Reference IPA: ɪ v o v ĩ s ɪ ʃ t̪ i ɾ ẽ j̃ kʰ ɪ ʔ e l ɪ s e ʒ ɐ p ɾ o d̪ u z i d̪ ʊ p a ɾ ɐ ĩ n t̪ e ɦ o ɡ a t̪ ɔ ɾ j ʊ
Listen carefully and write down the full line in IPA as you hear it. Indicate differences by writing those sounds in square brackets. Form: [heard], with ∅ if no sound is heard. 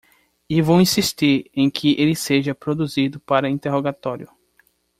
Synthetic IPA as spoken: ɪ v o [w] ĩ s [i] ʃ t̪ i ɾ ẽ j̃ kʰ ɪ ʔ e l ɪ s e ʒ ɐ p ɾ o d̪ u z i d̪ ʊ p a ɾ ɐ ĩ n t̪ e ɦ o ɡ a t̪ ɔ ɾ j ʊ